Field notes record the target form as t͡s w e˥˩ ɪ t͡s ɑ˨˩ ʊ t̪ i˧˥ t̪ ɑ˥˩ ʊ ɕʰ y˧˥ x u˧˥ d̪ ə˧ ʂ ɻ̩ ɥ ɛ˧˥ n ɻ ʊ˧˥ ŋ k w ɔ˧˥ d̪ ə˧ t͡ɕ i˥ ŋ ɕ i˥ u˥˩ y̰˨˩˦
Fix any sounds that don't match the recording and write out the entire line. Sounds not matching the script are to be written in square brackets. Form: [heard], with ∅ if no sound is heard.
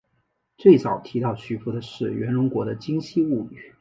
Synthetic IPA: t͡s w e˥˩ ɪ t͡s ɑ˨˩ ʊ [t̪ʰ] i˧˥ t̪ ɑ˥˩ ʊ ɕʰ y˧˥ [f] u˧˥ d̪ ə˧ ʂ ɻ̩ ɥ ɛ˧˥ n ɻ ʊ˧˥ ŋ k w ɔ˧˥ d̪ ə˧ t͡ɕ i˥ ŋ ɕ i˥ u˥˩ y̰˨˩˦